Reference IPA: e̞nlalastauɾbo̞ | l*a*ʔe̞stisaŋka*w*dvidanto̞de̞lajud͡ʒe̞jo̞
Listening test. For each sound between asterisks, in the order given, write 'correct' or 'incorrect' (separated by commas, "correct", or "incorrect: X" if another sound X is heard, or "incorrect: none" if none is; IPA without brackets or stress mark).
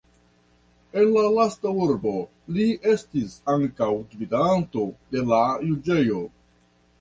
incorrect: i, correct